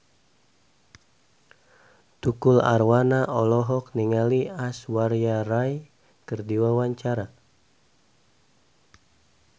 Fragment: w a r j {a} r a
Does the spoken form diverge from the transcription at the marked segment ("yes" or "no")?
no